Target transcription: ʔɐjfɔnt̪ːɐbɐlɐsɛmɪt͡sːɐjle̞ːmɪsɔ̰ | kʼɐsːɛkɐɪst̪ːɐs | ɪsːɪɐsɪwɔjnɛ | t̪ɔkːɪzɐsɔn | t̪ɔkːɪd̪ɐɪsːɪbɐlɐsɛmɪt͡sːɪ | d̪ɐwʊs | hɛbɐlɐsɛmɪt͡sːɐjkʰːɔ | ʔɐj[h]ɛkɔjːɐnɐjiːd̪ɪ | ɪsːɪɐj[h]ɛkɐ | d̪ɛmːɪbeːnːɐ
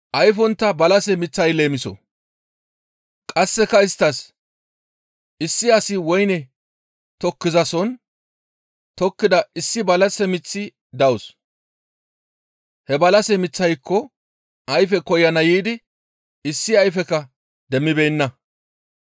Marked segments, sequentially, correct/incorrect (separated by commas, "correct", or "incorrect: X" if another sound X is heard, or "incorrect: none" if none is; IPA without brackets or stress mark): incorrect: f, incorrect: f